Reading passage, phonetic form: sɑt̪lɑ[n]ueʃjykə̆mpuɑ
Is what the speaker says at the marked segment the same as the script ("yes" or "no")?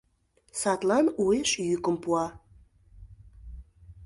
yes